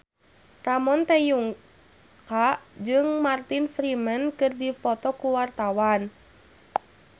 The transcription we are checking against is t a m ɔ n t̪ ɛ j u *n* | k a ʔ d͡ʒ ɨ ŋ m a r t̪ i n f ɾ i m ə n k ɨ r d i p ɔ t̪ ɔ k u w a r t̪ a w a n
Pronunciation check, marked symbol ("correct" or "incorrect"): incorrect